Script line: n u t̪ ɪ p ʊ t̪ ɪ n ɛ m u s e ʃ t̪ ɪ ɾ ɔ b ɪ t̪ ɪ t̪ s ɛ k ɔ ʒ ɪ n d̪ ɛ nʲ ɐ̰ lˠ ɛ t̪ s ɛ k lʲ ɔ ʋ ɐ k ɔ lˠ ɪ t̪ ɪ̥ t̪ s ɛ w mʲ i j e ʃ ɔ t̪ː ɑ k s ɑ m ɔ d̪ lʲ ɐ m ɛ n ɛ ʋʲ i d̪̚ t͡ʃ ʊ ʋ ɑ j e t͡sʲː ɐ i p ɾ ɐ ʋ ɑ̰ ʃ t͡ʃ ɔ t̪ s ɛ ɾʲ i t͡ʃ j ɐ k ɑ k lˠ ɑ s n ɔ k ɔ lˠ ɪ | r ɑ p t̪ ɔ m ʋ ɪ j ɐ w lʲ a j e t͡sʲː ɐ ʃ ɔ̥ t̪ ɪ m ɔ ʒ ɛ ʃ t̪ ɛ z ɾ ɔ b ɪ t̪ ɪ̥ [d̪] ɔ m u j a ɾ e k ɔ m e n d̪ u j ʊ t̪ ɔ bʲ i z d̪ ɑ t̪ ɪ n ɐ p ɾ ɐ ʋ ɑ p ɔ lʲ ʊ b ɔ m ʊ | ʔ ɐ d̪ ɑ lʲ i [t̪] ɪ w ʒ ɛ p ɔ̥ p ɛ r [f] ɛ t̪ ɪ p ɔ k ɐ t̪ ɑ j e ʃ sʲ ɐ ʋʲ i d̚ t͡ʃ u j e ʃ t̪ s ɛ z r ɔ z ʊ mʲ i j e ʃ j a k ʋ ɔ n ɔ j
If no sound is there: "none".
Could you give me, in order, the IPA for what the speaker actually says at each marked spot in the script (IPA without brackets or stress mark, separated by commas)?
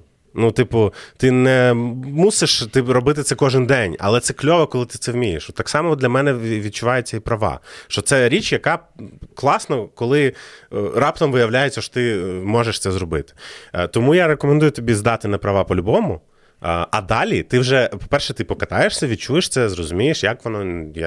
t̪, t̪, ʃ